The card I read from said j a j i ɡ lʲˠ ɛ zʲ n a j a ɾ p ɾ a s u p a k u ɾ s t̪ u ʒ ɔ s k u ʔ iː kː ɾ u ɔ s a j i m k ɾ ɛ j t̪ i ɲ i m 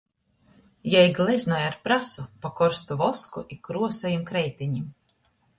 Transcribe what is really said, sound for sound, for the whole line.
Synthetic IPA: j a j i ɡ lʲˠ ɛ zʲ n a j a ɾ p ɾ a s u p a k ɔ ɾ s t̪ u v ɔ s k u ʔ i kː ɾ u ɔ s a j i m k ɾ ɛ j t̪ i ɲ i m

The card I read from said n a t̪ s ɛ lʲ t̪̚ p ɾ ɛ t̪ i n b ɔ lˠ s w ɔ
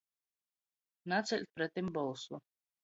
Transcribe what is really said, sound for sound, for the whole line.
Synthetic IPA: n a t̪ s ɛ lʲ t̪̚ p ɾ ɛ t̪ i m b ɔ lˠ s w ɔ

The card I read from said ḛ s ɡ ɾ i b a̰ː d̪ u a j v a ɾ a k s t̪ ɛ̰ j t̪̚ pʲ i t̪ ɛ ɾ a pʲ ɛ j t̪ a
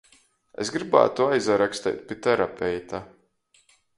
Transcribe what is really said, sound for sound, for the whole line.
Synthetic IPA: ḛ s ɡ ɾ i b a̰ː t̪ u a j z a ɾ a k s t̪ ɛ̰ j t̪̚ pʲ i t̪ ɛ ɾ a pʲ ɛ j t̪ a

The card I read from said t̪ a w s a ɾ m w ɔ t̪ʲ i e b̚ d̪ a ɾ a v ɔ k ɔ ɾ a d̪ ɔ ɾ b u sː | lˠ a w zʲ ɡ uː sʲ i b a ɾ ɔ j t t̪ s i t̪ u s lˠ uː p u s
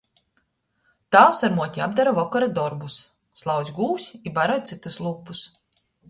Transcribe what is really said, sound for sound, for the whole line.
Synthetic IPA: t̪ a w s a ɾ m u ɔ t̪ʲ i a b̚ d̪ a ɾ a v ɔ k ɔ ɾ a d̪ ɔ ɾ b u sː | lˠ a w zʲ ɡ uː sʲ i b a ɾ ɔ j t t̪ s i t̪ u s lˠ uː p u s

